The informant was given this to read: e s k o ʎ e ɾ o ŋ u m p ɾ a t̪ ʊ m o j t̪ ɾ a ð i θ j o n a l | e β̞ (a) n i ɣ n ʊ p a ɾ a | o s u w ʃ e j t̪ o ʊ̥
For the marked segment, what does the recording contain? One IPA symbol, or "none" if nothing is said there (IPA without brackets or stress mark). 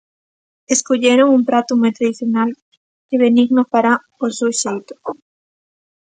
e